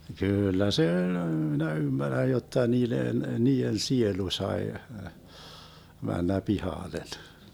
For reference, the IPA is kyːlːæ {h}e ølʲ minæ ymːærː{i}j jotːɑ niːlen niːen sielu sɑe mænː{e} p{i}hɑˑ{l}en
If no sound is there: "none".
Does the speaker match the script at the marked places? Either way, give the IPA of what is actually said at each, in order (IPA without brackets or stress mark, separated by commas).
s, æ, æ, i, l